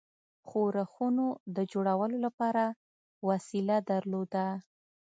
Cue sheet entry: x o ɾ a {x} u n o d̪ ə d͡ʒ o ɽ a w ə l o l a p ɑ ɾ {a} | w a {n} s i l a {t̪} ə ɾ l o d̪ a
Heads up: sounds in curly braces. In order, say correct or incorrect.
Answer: correct, correct, incorrect: none, incorrect: d̪

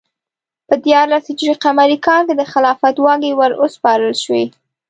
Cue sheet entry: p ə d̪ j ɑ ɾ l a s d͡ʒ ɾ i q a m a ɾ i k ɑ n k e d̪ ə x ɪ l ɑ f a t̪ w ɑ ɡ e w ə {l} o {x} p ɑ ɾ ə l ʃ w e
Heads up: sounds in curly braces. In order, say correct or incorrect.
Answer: incorrect: ɾ, incorrect: s

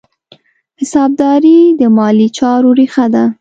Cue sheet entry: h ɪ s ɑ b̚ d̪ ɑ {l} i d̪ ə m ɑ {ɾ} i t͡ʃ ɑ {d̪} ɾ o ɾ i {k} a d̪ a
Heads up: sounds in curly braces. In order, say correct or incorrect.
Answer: incorrect: ɾ, incorrect: l, incorrect: none, incorrect: x

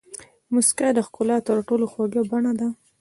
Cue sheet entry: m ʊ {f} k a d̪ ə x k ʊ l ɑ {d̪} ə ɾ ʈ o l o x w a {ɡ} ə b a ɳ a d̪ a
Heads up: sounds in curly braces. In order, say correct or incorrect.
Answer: incorrect: s, incorrect: t̪, correct

